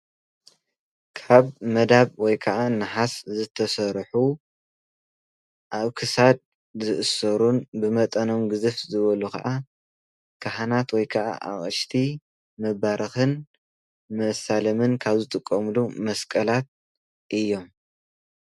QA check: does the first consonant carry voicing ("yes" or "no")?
no